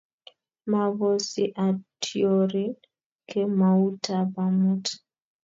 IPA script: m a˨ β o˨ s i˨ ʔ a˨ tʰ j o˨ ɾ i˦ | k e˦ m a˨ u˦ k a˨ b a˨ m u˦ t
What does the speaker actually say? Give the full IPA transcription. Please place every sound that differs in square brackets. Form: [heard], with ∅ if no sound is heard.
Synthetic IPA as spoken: m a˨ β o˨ s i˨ ʔ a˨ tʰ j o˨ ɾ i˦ | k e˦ m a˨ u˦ [t] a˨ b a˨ m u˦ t